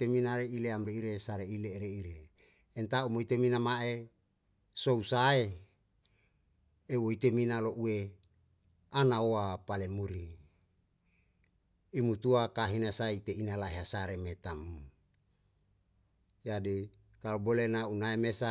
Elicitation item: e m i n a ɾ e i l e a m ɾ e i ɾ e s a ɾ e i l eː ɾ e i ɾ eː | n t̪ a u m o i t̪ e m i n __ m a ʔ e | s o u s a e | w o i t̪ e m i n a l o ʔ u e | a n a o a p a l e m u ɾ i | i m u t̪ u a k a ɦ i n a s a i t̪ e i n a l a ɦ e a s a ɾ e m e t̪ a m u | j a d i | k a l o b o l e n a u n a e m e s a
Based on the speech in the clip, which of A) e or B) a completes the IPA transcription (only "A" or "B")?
B